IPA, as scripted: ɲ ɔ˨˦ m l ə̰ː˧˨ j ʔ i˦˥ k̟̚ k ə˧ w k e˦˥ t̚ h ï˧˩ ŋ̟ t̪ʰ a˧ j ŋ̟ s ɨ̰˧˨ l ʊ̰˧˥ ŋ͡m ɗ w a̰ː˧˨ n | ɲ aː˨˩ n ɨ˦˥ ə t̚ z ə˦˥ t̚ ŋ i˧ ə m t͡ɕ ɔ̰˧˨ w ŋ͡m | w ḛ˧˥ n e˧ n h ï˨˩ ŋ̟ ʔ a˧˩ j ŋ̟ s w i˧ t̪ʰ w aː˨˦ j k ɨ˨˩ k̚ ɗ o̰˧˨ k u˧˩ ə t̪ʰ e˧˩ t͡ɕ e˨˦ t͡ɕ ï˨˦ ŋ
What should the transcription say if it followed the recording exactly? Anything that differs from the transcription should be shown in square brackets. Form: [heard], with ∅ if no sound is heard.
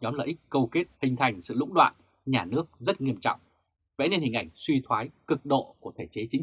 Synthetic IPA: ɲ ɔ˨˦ m l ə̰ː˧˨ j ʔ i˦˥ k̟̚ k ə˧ w k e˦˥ t̚ h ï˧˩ ŋ̟ t̪ʰ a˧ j ŋ̟ s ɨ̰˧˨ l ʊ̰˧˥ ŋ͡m ɗ w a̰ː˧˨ n | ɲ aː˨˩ n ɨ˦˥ ə [k̚] z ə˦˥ t̚ ŋ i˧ ə m t͡ɕ ɔ̰˧˨ w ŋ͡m | [v] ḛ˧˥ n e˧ n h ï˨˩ ŋ̟ ʔ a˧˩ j ŋ̟ s w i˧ t̪ʰ w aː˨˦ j k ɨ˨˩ k̚ ɗ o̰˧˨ k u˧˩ ə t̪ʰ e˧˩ t͡ɕ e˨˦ t͡ɕ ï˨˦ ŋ